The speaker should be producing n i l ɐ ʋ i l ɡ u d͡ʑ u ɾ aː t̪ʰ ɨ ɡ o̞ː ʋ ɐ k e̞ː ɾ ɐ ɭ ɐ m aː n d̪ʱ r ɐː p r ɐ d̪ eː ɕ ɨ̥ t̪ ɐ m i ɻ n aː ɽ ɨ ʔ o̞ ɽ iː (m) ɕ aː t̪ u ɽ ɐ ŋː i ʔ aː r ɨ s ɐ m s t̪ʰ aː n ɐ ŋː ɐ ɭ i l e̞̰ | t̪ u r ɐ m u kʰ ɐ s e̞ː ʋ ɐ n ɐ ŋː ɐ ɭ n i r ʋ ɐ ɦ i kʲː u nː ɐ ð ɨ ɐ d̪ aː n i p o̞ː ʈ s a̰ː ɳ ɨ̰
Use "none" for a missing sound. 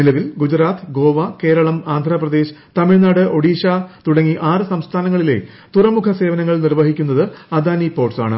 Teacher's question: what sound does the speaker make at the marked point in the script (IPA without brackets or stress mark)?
none